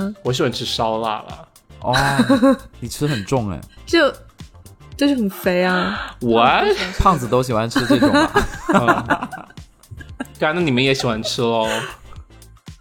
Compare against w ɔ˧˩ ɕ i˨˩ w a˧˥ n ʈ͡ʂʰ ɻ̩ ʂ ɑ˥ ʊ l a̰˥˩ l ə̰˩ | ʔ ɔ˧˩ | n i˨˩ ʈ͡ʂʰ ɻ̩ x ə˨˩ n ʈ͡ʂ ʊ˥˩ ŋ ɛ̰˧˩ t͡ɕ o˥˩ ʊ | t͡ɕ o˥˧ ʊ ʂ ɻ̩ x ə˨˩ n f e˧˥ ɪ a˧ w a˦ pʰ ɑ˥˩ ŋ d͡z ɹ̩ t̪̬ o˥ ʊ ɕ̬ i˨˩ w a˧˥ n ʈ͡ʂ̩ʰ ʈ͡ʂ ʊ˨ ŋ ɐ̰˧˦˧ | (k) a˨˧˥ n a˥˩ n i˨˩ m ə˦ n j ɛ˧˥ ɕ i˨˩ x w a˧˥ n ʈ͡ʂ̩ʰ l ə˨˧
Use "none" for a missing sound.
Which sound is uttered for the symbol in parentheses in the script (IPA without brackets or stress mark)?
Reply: k